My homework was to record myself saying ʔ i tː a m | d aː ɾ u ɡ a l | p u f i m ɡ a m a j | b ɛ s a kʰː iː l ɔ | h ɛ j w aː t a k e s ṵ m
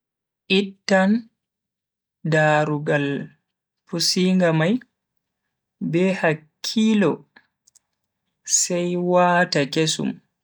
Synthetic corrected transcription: ʔ i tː a n | d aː ɾ u ɡ a l | p u s i ŋ ɡ a m a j | b ɛ h a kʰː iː l ɔ | s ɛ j w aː t a k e s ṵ m